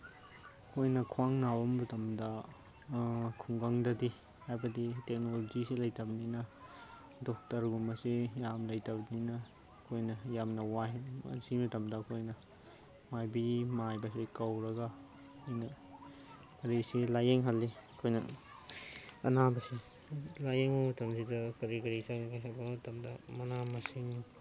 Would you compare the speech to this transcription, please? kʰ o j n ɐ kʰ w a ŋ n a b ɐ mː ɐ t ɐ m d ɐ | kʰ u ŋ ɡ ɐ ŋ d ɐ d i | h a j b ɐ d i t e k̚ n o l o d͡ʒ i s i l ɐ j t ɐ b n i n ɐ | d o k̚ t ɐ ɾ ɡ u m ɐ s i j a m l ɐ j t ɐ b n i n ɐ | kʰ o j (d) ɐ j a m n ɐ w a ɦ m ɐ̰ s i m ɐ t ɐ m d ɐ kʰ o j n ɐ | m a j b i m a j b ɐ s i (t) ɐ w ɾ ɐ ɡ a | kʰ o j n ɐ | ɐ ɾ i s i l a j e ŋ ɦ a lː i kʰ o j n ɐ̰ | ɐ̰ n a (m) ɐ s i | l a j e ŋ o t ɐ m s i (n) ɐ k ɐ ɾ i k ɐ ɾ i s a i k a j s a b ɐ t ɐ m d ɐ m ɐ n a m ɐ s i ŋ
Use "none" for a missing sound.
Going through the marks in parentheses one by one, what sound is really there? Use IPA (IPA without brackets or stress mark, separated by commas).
n, k, b, d